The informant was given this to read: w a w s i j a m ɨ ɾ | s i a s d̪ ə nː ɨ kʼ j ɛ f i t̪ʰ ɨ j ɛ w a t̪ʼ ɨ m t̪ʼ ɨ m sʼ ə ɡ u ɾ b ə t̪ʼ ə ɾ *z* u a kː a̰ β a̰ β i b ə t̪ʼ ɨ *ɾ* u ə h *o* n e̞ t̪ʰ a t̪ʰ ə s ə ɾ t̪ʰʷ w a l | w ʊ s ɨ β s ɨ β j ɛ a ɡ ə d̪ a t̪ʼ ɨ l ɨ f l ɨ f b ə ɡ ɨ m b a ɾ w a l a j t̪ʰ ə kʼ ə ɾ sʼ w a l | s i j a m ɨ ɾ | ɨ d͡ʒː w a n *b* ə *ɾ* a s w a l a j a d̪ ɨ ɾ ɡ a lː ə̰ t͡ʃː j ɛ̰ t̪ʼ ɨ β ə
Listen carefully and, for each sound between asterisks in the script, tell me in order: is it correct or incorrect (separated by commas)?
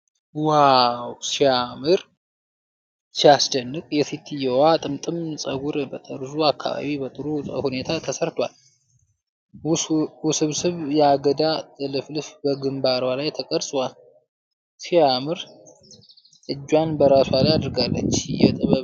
correct, correct, incorrect, correct, correct